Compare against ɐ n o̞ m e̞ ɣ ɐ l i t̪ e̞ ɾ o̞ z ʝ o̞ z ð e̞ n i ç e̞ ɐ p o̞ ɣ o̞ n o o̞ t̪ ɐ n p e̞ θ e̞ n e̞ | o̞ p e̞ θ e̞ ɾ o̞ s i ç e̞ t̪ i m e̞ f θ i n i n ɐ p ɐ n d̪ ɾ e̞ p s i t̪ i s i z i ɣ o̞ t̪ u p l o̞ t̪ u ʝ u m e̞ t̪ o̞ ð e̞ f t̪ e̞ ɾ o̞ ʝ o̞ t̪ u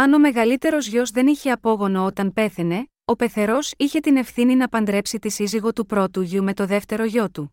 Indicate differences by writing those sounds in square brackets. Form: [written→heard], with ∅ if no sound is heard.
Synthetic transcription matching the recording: ɐ n o̞ m e̞ ɣ ɐ l i t̪ e̞ ɾ o̞ z ʝ o̞ z ð e̞ n i ç e̞ ɐ p o̞ ɣ o̞ n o o̞ t̪ ɐ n p e̞ θ e̞ n e̞ | o̞ p e̞ θ e̞ ɾ o̞ s i ç e̞ t̪ i [m→n] e̞ f θ i n i n ɐ p ɐ n d̪ ɾ e̞ p s i t̪ i s i z i ɣ o̞ t̪ u p [l→ɾ] o̞ t̪ u ʝ u m e̞ t̪ o̞ ð e̞ f t̪ e̞ ɾ o̞ ʝ o̞ t̪ u